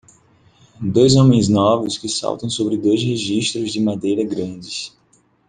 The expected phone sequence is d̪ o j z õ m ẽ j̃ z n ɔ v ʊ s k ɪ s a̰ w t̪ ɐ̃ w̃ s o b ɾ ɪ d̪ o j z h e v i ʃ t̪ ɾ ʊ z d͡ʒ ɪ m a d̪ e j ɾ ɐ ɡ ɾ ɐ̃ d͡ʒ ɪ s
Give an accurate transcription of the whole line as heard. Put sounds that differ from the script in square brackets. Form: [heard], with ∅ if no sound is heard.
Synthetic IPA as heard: d̪ o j z õ m ẽ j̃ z n ɔ v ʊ s k ɪ s a̰ w t̪ ɐ̃ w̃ s o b ɾ ɪ d̪ o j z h e [ʒ] i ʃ t̪ ɾ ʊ z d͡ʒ ɪ m a d̪ e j ɾ ɐ ɡ ɾ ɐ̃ d͡ʒ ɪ s